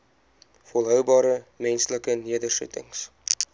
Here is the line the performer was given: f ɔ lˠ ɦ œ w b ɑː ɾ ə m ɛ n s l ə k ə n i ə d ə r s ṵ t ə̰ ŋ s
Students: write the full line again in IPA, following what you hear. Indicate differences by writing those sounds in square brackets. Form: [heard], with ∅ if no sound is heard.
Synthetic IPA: f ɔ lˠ ɦ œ w b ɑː ɾ ə m ɛ n s l ə k ə n i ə d ə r s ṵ t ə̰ ŋ s